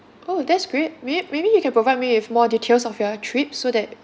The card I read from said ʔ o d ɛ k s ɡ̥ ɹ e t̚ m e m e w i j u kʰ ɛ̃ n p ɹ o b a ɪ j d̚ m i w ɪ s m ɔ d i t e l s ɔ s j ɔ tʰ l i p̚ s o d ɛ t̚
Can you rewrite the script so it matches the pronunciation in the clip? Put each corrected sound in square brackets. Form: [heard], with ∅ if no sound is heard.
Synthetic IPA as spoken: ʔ o d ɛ [t] s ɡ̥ ɹ e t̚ m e m e [b] i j u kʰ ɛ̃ n p ɹ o [v] a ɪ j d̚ m i w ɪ [f] m ɔ d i [tʰ] e l s ɔ [f] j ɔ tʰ [ɹ] i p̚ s o d ɛ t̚